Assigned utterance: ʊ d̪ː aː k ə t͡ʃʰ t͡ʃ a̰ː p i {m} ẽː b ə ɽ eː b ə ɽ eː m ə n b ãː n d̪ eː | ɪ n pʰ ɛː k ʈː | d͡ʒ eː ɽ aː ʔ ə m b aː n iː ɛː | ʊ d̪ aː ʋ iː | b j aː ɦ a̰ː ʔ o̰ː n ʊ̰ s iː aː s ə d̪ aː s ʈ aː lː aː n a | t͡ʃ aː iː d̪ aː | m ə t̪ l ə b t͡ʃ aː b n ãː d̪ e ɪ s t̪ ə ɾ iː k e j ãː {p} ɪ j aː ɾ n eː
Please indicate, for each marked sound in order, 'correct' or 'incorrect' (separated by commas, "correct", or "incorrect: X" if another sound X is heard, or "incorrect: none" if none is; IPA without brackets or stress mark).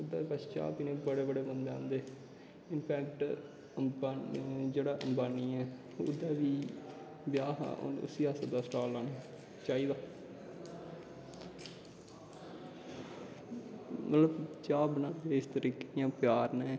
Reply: incorrect: n, correct